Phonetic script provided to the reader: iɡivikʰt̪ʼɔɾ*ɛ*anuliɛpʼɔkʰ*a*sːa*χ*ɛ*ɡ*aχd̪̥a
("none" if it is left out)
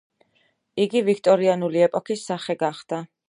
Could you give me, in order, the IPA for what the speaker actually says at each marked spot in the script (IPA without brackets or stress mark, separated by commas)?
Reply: i, i, χ, ɡ